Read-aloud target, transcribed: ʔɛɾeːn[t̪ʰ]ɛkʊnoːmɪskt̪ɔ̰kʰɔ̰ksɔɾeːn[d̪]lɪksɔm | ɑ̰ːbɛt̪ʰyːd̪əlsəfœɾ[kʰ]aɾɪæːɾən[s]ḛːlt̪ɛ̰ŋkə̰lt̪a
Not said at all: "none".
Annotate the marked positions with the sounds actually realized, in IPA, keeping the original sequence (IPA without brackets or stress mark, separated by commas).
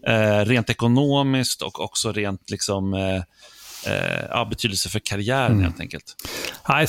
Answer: t̪, t̪, kʰ, h